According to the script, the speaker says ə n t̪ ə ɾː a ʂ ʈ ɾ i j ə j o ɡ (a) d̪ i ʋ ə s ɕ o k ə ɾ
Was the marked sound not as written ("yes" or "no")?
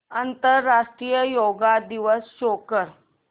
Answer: no